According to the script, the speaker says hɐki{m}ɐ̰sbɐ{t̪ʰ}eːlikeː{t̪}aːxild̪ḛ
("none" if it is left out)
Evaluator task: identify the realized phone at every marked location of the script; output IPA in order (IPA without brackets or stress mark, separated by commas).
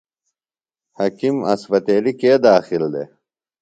m, t̪, d̪